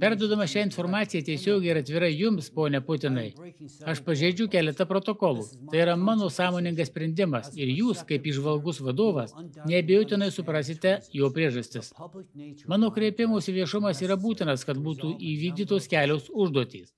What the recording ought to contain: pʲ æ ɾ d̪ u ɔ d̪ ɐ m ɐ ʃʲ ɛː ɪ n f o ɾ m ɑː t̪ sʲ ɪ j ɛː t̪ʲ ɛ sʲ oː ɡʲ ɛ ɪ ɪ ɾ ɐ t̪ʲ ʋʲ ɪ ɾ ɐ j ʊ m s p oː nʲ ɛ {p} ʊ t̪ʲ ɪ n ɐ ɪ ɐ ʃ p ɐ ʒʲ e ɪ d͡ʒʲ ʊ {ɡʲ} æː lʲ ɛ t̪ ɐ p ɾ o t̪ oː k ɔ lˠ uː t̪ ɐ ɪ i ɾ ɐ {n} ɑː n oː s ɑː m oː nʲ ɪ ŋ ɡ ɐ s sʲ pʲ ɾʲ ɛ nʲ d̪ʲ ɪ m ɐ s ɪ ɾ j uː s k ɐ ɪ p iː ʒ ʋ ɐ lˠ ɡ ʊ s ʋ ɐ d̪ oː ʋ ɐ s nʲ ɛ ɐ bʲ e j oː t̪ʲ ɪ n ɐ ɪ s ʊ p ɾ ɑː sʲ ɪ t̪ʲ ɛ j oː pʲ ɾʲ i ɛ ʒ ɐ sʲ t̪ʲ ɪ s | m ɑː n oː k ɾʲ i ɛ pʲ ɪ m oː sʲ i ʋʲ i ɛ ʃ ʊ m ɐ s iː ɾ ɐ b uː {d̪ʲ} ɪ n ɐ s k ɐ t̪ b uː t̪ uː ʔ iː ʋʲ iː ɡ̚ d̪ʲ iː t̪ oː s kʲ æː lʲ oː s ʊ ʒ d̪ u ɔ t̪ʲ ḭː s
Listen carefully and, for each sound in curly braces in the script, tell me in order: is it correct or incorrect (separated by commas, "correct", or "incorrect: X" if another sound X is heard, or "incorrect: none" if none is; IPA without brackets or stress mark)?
correct, incorrect: kʲ, incorrect: m, incorrect: t̪ʲ